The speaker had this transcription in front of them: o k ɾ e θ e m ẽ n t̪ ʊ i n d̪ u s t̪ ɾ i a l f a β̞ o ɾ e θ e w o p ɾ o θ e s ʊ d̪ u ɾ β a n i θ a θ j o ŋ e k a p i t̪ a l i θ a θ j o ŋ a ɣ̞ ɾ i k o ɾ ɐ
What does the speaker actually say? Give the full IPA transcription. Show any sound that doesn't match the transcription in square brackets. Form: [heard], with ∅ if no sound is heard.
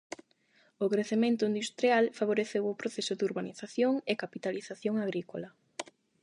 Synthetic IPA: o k ɾ e θ e m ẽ n t̪ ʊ i n d̪ u s t̪ ɾ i a l f a β̞ o ɾ e θ e w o p ɾ o θ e s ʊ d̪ u ɾ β a n i θ a θ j o ŋ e k a p i t̪ a l i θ a θ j o ŋ a ɣ̞ ɾ i k o [l] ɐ

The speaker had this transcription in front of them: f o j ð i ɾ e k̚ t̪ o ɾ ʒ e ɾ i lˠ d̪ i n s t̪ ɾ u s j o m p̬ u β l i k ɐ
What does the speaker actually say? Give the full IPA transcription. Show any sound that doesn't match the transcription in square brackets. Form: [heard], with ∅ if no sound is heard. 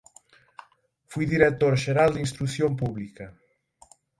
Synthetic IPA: f [u] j ð i ɾ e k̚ t̪ o ɾ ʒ e ɾ [a] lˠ d̪ i n s t̪ ɾ u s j o m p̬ u β l i k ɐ

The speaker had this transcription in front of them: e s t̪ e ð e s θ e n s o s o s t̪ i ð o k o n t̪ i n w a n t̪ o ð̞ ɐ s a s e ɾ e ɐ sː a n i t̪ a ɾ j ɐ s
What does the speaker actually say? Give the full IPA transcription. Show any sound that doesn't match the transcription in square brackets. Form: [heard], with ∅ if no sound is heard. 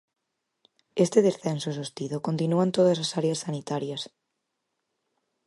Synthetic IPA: e s t̪ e ð e s θ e n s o s o s t̪ i ð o k o n t̪ i n [u] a n t̪ o ð̞ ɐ s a s [a] ɾ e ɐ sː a n i t̪ a ɾ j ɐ s

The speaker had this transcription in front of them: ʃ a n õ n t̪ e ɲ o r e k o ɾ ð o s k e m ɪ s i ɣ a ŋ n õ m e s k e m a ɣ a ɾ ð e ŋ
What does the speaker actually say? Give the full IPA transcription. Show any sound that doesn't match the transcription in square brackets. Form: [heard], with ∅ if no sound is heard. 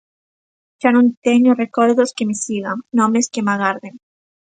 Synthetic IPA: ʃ a n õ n t̪ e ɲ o r e k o ɾ ð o s k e m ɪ s i ɣ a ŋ n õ m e s k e m a ɣ a ɾ ð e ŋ

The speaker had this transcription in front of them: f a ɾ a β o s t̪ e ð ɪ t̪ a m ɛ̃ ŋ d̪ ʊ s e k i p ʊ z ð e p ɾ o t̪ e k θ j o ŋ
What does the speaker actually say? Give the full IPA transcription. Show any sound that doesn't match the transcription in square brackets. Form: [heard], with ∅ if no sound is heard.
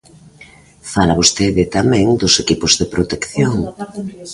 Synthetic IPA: f a [l] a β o s t̪ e ð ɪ t̪ a m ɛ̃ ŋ d̪ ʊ s e k i p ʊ z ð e p ɾ o t̪ e k θ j o ŋ

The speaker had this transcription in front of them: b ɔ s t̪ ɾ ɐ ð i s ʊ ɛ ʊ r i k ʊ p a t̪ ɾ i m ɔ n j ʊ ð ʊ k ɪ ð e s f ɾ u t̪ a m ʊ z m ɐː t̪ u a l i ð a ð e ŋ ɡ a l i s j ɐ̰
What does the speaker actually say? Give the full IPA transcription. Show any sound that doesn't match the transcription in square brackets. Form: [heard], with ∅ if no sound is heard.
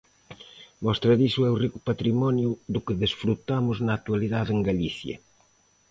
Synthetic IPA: [m] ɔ s t̪ ɾ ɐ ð i s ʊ ɛ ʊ r i k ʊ p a t̪ ɾ i m ɔ n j ʊ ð ʊ k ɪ ð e s f ɾ u t̪ a m ʊ z [n] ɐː t̪ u a l i ð a ð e ŋ ɡ a l i [θ] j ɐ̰

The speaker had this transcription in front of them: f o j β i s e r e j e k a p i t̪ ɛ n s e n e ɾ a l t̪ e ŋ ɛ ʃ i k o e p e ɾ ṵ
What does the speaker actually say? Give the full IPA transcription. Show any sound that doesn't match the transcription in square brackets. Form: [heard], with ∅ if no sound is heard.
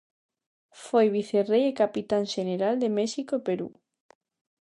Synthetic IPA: f o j β i [θ] e r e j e k a p i t̪ [a] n [ʃ] e n e ɾ a l [d̪] e [m] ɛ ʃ i k o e p e ɾ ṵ

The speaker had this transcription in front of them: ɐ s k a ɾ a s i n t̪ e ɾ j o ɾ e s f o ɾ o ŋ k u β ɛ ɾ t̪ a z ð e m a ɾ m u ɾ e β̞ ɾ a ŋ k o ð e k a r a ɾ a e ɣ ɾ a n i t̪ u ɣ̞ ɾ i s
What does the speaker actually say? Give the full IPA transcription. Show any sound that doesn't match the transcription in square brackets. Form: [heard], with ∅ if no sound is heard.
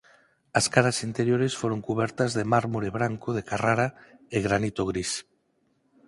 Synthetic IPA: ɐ s k a ɾ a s i n t̪ e ɾ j o ɾ e s f o ɾ o ŋ k u β ɛ ɾ t̪ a z ð e m a ɾ m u ɾ e β̞ ɾ a ŋ k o ð e k a r a ɾ a e ɣ ɾ a n i t̪ [o] ɣ̞ ɾ i s

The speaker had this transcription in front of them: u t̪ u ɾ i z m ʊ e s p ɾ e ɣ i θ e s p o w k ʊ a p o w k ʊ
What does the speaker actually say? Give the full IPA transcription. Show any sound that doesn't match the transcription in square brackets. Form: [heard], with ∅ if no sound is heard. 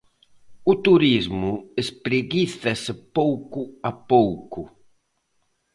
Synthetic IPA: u t̪ u ɾ i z m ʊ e s p ɾ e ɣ i θ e s p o w k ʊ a p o w k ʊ

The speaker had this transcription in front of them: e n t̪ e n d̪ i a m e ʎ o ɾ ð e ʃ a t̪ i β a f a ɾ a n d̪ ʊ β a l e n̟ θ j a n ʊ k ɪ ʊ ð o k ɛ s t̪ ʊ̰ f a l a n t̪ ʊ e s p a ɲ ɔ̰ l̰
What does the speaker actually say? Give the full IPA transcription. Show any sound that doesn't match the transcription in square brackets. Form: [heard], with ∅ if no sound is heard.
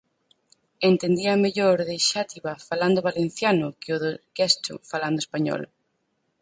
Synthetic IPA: e n t̪ e n d̪ i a m e ʎ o ɾ ð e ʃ a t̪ i β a f a [l] a n d̪ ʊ β a l e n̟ θ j a n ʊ k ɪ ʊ ð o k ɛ s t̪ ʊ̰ f a l a n [d̪] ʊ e s p a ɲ ɔ̰ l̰

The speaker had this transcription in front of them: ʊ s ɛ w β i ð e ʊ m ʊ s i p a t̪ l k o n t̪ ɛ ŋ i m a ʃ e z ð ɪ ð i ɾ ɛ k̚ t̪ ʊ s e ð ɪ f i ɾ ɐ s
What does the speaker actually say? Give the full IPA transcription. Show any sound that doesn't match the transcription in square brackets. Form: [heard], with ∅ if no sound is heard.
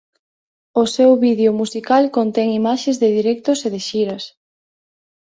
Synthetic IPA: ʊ s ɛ w β i ð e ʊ m [u] s i [k] a [∅] l k o n t̪ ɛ ŋ i m a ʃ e z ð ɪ ð i ɾ ɛ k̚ t̪ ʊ s e ð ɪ [ʃ] i ɾ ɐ s

